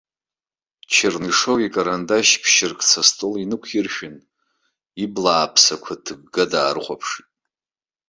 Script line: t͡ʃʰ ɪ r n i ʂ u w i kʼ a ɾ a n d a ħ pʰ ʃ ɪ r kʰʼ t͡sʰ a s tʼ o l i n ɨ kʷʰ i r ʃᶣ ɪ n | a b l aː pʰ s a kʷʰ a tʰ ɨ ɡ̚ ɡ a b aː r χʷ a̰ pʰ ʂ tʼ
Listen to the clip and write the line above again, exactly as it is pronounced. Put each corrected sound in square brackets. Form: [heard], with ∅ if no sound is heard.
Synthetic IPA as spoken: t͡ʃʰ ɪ r n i ʂ [o] w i kʼ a ɾ a n d a [ʃ] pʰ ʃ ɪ r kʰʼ t͡sʰ a s tʼ o l i n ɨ kʷʰ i r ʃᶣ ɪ n | [i] b l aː pʰ s a kʷʰ a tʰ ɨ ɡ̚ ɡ a [d] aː r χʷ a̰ pʰ ʂ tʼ